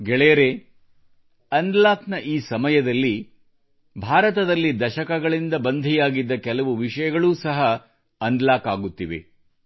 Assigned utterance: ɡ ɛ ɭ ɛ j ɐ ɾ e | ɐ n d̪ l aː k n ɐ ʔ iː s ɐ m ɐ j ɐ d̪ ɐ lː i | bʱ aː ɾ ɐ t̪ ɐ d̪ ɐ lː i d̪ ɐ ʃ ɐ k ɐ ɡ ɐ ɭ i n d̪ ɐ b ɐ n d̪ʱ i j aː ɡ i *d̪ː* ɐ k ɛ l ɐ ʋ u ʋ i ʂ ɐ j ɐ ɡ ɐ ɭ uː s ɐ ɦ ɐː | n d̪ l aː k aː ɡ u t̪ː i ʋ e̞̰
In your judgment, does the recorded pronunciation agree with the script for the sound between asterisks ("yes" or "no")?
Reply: yes